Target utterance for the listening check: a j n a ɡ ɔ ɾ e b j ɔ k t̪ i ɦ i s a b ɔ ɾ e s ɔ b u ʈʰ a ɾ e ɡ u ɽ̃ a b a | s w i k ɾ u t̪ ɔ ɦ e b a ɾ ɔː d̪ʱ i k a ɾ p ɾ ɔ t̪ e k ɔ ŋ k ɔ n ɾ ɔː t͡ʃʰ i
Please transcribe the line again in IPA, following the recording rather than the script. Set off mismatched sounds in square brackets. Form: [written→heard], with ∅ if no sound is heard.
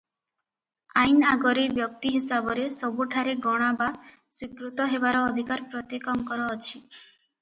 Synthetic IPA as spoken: a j n a ɡ ɔ ɾ e b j ɔ k t̪ i ɦ i s a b ɔ ɾ e s ɔ b u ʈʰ a ɾ e ɡ [u→ɔ] ɽ̃ a b a | s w i k ɾ u t̪ ɔ ɦ e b a ɾ ɔː d̪ʱ i k a ɾ p ɾ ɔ t̪ e k ɔ ŋ k ɔ [n→∅] ɾ ɔː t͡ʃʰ i